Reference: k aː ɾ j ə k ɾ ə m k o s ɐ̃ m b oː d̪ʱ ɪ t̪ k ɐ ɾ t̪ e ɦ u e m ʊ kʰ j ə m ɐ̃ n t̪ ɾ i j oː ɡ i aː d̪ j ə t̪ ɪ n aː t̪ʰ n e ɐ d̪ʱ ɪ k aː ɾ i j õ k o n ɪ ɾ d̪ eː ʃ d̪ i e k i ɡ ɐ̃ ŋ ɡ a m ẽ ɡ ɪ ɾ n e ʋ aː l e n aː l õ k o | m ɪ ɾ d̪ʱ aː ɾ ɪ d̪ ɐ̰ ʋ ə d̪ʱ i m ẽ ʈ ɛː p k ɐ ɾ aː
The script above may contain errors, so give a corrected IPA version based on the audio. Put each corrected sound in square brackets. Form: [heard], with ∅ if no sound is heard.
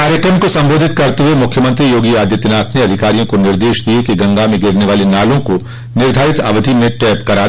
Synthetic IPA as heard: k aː ɾ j ə k ɾ ə m k o s ɐ̃ m b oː d̪ʱ ɪ t̪ k ɐ ɾ t̪ e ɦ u e m ʊ kʰ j ə m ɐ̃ n t̪ ɾ i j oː ɡ i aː d̪ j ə t̪ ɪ n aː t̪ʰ n e ɐ d̪ʱ ɪ k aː ɾ i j õ k o n ɪ ɾ d̪ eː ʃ d̪ i e k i ɡ ɐ̃ ŋ ɡ a m ẽ ɡ ɪ ɾ n e ʋ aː l e n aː l õ k o | [n] ɪ ɾ d̪ʱ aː ɾ ɪ [t̪] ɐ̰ ʋ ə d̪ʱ i m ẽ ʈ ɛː p k ɐ ɾ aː